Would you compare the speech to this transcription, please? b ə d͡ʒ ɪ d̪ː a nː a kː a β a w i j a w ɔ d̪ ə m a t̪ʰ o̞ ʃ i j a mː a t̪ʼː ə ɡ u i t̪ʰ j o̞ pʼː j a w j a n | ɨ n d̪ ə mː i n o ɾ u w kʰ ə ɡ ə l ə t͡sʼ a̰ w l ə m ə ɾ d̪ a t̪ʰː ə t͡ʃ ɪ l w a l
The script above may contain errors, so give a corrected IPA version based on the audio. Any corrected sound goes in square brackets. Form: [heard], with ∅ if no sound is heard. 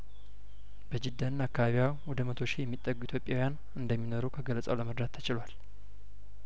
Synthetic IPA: b ə d͡ʒ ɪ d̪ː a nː a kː a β a [β] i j a w ɔ d̪ ə m [ə] t̪ʰ o̞ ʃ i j [ɛ] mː [i] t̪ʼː ə ɡ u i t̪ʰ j o̞ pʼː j a w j a n | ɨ n d̪ ə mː i n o ɾ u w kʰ ə ɡ ə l ə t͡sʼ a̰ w l ə m ə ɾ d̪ a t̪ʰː ə t͡ʃ ɪ l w a l